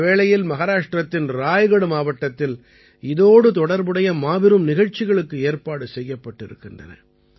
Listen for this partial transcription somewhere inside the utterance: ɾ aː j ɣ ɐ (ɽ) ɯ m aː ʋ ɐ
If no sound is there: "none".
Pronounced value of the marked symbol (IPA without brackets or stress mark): ɽ